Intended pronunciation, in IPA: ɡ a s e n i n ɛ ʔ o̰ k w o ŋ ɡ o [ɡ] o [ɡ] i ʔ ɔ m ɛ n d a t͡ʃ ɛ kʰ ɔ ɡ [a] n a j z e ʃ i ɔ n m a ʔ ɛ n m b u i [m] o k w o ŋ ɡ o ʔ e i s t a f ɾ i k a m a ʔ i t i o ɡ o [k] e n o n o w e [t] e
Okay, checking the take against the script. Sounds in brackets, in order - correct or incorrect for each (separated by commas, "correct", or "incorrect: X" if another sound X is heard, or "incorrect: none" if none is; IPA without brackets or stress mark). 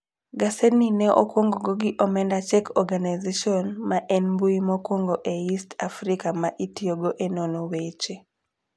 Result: correct, correct, correct, correct, incorrect: ʔ, incorrect: t͡ʃ